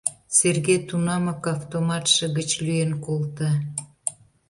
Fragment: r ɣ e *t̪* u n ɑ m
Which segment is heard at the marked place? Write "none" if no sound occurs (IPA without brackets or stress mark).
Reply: t̪